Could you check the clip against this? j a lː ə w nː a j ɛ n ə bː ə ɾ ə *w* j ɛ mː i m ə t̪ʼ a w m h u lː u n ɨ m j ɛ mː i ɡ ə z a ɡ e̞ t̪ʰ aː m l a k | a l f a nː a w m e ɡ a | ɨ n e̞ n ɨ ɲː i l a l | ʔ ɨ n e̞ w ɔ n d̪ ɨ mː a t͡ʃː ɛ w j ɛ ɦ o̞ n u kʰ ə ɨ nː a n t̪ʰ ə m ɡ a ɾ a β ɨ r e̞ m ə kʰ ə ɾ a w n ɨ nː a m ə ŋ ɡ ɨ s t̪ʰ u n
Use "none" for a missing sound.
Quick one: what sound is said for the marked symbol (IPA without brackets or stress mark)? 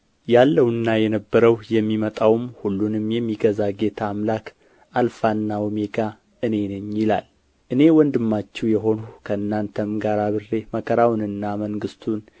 w